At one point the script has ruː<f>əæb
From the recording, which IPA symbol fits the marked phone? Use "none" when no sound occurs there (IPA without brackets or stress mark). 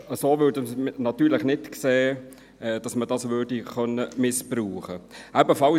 χ